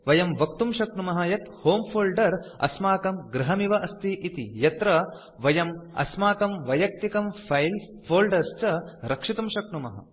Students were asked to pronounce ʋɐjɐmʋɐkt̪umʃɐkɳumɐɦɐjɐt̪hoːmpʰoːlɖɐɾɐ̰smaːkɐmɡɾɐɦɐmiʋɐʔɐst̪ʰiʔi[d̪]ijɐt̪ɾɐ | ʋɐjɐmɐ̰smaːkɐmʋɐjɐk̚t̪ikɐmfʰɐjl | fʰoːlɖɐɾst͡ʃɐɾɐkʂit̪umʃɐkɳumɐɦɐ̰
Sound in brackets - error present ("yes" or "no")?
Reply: yes